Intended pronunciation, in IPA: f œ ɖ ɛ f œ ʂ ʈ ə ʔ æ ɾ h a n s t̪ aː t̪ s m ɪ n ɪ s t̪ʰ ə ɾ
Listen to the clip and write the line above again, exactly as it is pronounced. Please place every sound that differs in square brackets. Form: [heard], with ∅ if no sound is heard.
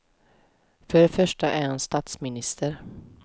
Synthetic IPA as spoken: f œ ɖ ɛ f œ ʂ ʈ [a] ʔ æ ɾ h a n s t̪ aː t̪ s m ɪ n ɪ s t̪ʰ ə ɾ